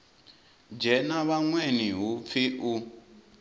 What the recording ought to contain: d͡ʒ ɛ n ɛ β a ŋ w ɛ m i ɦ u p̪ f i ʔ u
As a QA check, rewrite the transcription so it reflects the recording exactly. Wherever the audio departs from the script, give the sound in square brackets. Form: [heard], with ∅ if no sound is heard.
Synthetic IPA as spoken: d͡ʒ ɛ n [a] β a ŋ w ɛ [n] i ɦ u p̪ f i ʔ u